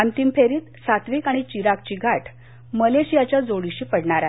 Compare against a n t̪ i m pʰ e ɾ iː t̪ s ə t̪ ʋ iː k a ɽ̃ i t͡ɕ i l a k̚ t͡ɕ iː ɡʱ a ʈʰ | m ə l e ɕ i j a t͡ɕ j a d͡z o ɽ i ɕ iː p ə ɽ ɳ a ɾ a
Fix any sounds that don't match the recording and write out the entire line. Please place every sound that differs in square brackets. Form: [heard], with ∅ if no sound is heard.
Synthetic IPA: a n t̪ i m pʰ e ɾ iː t̪ s [a] t̪ ʋ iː k a ɽ̃ i t͡ɕ i [ɾ] a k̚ t͡ɕ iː ɡʱ a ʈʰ | m ə l e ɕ i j a t͡ɕ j a d͡z o ɽ i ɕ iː p ə ɽ ɳ a ɾ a